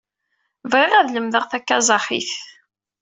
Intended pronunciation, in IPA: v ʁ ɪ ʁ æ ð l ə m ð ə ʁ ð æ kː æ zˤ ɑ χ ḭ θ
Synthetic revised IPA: v ʁ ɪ ʁ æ ð l ə m ð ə ʁ θ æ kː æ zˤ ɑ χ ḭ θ